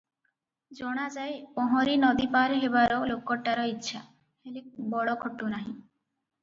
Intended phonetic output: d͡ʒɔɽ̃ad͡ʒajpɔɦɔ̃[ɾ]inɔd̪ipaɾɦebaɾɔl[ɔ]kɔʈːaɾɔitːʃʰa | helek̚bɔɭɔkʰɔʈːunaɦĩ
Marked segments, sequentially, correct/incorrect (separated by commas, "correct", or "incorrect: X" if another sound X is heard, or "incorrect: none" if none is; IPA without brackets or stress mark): correct, incorrect: o